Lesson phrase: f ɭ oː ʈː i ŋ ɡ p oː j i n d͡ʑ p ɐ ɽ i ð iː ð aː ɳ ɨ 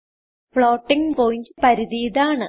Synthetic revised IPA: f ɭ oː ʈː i ŋ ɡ p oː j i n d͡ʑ p ɐ ɾ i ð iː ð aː ɳ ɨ